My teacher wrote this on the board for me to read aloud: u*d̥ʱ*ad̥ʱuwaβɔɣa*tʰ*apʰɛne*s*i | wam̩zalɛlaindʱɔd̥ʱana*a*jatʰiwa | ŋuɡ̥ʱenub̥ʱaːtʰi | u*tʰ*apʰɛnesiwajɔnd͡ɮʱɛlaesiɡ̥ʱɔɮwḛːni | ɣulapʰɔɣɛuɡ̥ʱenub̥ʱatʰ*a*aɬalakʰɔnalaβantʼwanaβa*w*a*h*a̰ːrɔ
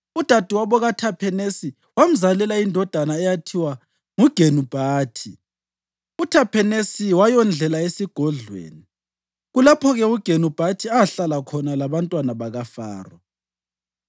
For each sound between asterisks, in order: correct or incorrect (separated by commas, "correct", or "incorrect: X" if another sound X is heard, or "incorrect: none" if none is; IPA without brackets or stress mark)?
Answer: correct, correct, correct, incorrect: ɛ, correct, incorrect: i, incorrect: ɣ, incorrect: f